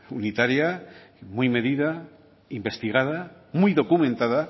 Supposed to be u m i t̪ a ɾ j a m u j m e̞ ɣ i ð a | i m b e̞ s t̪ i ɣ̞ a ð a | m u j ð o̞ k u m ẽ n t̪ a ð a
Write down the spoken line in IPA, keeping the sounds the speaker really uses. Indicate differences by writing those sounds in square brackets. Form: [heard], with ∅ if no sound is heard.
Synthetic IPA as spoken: u [n] i t̪ a ɾ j a m u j m e̞ [ð] i ð a | i m b e̞ s t̪ i ɣ̞ a ð a | m u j ð o̞ k u m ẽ n t̪ a ð a